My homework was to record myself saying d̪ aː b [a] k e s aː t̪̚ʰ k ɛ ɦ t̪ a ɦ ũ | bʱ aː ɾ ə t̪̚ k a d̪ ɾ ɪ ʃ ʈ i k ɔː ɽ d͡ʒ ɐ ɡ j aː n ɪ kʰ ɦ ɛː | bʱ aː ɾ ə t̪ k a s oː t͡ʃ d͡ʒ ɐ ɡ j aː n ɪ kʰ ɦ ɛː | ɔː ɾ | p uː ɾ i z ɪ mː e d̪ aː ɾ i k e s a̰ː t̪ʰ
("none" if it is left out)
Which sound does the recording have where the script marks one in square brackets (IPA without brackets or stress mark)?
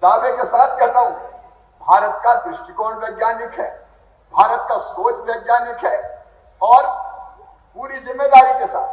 e